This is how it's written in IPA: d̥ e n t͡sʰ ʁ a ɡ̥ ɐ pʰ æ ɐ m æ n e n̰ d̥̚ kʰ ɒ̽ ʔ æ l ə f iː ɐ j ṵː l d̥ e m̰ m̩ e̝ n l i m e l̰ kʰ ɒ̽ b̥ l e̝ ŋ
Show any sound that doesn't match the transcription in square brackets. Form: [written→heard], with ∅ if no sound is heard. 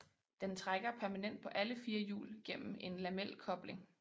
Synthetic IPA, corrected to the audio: d̥ e n t͡sʰ ʁ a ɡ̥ ɐ pʰ æ ɐ m æ n e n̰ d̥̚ [kʰ→pʰ] ɒ̽ ʔ æ l ə f iː ɐ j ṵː l [d̥→ɡ̥] e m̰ m̩ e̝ n l [i→æ] m e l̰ kʰ ɒ̽ b̥ l e̝ ŋ

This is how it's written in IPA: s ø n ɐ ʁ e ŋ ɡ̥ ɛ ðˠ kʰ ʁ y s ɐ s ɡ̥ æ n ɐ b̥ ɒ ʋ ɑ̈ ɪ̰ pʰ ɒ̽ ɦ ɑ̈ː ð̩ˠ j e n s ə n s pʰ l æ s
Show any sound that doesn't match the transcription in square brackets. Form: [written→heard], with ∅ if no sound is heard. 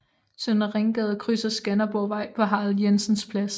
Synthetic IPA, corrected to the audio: s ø n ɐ ʁ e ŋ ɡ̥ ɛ ðˠ kʰ ʁ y s ɐ s ɡ̥ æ n ɐ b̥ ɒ ʋ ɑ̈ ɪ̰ pʰ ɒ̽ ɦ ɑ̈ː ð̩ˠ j e n s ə n s pʰ l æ s

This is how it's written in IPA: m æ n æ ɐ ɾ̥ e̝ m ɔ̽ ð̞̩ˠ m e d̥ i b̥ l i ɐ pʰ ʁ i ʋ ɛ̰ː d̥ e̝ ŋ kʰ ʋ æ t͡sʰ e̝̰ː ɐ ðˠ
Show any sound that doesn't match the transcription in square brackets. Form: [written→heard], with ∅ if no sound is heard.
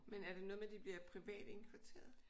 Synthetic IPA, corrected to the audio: m [æ→e] n æ ɐ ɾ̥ e̝ [m→n] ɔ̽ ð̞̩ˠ m e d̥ i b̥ l i ɐ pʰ ʁ i ʋ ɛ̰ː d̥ e̝ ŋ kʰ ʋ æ t͡sʰ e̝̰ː ɐ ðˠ

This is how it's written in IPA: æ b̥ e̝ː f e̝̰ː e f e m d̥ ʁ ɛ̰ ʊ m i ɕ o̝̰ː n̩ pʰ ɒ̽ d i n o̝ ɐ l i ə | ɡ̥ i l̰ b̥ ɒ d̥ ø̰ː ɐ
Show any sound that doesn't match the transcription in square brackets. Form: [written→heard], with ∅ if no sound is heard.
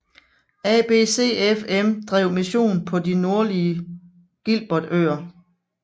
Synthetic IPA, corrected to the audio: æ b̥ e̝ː [f→s] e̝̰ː e f e m d̥ ʁ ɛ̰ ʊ m i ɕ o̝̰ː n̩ pʰ ɒ̽ d i n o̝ ɐ l i ə | ɡ̥ i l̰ b̥ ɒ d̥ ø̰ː ɐ

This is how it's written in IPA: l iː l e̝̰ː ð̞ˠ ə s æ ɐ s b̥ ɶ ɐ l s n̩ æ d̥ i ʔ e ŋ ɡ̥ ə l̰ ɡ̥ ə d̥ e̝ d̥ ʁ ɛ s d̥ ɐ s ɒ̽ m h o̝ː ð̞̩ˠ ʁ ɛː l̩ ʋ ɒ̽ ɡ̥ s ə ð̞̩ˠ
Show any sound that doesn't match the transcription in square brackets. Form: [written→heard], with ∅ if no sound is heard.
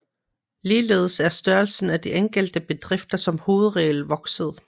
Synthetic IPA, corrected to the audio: l iː l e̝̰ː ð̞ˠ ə s æ ɐ s [b̥→d̥] ɶ ɐ l s n̩ æ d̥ i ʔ e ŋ ɡ̥ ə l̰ [ɡ̥→d̥] ə [d̥→b̥] e̝ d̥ ʁ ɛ [s→f] d̥ ɐ s ɒ̽ m h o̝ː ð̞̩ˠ ʁ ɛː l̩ ʋ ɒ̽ ɡ̥ s ə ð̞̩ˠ

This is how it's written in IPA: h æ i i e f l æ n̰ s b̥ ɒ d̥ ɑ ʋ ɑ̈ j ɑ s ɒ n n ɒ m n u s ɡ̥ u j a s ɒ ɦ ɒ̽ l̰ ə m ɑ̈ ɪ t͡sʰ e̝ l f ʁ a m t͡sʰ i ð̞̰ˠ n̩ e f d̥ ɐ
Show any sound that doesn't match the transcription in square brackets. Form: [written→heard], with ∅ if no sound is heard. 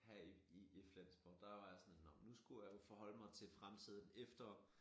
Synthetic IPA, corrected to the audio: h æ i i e f l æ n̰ s b̥ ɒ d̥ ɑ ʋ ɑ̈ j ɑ s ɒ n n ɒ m n u s ɡ̥ u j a [s→f] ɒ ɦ ɒ̽ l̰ ə m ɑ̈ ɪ t͡sʰ e̝ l f ʁ a m t͡sʰ i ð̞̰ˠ n̩ e f d̥ ɐ

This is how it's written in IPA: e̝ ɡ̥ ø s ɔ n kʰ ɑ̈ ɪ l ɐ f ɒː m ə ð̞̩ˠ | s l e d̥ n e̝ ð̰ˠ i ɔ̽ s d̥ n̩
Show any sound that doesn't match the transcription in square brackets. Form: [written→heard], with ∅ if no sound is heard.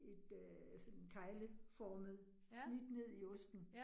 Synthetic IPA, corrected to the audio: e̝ [ɡ̥→d̥] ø s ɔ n kʰ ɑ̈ ɪ l [ɐ→ə] f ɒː m ə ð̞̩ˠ | s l [e→i] d̥ n e̝ ð̰ˠ i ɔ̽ s d̥ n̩

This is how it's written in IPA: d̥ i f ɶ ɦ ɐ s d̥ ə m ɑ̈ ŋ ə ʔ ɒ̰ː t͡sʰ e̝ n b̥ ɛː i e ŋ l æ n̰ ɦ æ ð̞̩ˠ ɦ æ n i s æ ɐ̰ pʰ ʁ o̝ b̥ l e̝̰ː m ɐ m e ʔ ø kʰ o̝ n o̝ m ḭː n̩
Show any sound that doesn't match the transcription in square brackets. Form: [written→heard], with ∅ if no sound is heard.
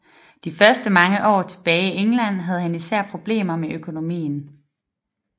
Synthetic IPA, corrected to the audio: d̥ i f ɶ [ɦ→∅] ɐ s d̥ ə m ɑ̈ ŋ ə ʔ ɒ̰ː t͡sʰ e̝ [n→∅] b̥ ɛː i e ŋ l æ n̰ ɦ æ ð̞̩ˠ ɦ æ n i s æ ɐ̰ pʰ ʁ o̝ b̥ l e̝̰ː m ɐ m e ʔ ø kʰ o̝ n o̝ m ḭː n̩

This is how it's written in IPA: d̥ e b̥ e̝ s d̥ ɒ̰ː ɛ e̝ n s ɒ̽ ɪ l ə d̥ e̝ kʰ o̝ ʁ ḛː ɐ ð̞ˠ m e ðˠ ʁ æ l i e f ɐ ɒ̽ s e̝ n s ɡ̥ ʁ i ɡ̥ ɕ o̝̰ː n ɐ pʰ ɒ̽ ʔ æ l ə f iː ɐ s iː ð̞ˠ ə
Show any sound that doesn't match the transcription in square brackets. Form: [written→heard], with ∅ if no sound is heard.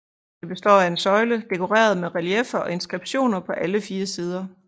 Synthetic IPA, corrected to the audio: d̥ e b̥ e̝ s d̥ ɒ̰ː [ɛ→æ] e̝ n s ɒ̽ ɪ l ə d̥ e̝ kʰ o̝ ʁ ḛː ɐ ð̞ˠ m e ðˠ ʁ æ l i e f ɐ ɒ̽ [s→∅] e̝ n s ɡ̥ ʁ i [ɡ̥→b̥] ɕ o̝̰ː n ɐ pʰ ɒ̽ ʔ æ l ə f iː ɐ s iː ð̞ˠ [ə→ɐ]

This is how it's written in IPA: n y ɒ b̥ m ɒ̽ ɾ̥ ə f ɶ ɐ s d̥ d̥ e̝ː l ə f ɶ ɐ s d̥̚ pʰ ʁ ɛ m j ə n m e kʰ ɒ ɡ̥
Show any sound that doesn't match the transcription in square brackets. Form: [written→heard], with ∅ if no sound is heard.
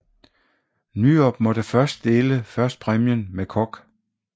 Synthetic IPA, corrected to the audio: n y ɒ b̥ m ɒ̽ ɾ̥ ə f ɶ ɐ s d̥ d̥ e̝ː l ə f ɶ ɐ s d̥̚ pʰ ʁ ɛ m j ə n m e kʰ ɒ ɡ̥

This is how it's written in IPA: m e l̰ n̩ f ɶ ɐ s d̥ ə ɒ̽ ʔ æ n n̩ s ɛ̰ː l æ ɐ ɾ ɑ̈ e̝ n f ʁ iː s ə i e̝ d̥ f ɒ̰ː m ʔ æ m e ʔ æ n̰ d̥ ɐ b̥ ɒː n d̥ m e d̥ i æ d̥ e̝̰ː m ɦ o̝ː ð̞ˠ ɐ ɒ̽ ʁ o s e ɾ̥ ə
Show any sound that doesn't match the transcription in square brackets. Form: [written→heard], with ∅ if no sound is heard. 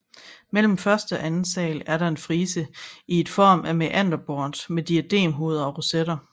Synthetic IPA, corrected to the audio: m e l̰ [n̩→m̩] f ɶ ɐ s d̥ ə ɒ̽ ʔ æ n n̩ s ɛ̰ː l æ ɐ ɾ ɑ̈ e̝ n f ʁ iː s ə i e̝ d̥ f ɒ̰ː m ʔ æ m e ʔ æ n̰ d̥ ɐ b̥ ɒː n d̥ m e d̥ i æ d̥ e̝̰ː m ɦ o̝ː ð̞ˠ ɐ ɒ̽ ʁ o s e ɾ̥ [ə→ɐ]

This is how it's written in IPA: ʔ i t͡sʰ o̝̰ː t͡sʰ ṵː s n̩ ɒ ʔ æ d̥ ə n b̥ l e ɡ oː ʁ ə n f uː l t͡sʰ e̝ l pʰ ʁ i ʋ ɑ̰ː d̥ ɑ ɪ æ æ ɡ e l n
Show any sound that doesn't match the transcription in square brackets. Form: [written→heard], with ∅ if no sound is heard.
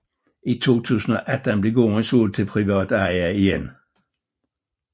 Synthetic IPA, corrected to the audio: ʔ i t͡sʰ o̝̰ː t͡sʰ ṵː s n̩ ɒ ʔ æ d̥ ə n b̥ l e ɡ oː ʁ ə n [f→s] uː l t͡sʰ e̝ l pʰ ʁ i ʋ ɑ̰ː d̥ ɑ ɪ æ [æ→i] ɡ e [l→∅] n

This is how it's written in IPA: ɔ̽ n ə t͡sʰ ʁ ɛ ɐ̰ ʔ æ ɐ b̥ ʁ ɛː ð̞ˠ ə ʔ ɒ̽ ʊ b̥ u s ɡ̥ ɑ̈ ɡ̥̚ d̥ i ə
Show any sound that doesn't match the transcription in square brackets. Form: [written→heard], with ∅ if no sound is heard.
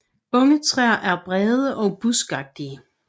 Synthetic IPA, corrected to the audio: ɔ̽ [n→ŋ] ə t͡sʰ ʁ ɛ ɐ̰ ʔ æ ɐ b̥ ʁ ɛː ð̞ˠ ə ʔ ɒ̽ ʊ b̥ u s ɡ̥ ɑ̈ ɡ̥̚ d̥ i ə

